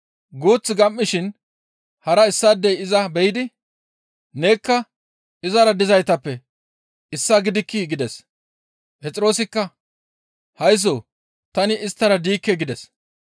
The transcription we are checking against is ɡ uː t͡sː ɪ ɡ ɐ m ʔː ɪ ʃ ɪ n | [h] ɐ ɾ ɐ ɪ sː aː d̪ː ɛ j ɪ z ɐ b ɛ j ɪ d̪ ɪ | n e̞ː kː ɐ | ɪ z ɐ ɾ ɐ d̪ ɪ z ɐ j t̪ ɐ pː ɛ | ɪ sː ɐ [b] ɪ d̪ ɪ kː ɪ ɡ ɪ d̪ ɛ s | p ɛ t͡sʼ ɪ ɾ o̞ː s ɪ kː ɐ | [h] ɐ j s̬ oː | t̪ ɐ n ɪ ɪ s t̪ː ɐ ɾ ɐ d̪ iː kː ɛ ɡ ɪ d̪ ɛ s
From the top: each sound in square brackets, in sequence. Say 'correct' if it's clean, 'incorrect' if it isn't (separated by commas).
correct, incorrect, correct